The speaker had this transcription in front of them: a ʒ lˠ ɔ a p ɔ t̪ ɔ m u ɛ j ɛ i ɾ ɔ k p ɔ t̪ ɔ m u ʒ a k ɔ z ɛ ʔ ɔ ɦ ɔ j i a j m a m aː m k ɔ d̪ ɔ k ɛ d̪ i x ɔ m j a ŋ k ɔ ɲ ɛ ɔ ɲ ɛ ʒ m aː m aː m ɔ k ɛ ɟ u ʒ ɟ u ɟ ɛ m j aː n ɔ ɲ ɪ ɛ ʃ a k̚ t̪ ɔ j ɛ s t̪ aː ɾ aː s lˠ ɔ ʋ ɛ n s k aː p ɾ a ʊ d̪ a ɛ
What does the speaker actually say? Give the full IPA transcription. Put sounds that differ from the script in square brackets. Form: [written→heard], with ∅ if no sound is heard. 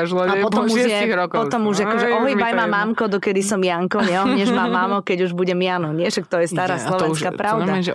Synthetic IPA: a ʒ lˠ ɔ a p ɔ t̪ ɔ m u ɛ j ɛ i ɾ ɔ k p ɔ t̪ ɔ m u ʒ a k ɔ [z→ʒ] ɛ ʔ ɔ ɦ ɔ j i a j m a m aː m k ɔ d̪ ɔ k ɛ d̪ i [x→s] ɔ m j a ŋ k ɔ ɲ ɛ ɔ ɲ ɛ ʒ m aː m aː m ɔ k ɛ ɟ u ʒ [ɟ→b] u ɟ ɛ m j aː n ɔ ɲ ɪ ɛ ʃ a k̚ t̪ ɔ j ɛ s t̪ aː ɾ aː s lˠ ɔ ʋ ɛ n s k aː p ɾ a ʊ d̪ a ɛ